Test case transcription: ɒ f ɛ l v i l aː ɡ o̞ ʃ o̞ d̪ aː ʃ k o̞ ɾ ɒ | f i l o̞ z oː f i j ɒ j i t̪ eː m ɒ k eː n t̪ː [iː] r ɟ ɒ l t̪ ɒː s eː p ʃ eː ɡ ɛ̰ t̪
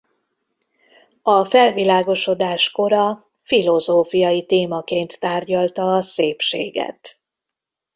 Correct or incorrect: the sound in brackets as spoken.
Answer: incorrect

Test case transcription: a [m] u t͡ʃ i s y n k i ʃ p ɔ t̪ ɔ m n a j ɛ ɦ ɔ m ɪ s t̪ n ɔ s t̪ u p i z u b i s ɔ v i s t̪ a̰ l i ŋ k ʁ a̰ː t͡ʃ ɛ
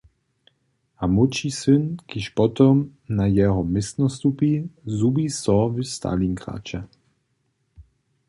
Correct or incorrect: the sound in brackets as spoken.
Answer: correct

